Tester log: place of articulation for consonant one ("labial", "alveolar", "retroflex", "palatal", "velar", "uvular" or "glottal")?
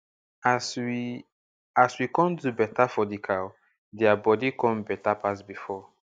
alveolar